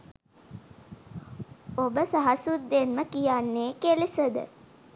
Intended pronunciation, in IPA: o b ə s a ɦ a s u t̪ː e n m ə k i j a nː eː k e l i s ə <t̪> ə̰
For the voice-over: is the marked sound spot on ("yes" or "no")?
no